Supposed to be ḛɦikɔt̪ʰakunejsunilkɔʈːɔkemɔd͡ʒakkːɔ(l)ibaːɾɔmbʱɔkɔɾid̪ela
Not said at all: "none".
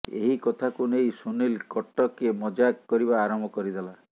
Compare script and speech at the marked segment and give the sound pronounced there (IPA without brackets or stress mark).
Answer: ɾ